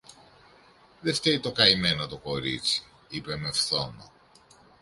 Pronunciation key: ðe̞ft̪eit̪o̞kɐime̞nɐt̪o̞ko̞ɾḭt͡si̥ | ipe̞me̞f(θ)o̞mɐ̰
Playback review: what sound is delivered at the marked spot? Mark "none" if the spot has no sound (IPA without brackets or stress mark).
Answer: θ